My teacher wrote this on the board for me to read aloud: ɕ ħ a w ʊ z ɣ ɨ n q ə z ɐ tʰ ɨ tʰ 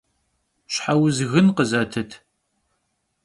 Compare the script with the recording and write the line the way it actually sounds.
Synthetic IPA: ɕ ħ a w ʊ z ɣ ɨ n q ə z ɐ tʰ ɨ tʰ